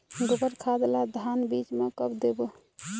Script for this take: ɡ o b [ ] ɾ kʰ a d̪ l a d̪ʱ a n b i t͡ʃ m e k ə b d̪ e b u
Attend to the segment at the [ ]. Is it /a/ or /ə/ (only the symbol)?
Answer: ə